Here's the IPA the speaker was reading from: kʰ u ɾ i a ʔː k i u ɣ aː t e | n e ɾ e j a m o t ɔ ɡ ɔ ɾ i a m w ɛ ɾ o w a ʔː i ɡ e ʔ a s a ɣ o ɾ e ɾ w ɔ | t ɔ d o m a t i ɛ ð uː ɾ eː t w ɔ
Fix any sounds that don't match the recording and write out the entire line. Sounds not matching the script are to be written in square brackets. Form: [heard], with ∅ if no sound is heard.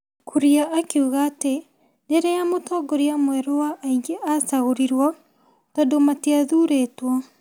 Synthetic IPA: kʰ u ɾ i a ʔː k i u ɣ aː t e | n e ɾ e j a m o t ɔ ɡ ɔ ɾ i a m w ɛ ɾ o w a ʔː i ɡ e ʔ a s a ɣ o ɾ [i] ɾ w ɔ | t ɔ d o m a t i [a] ð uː ɾ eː t w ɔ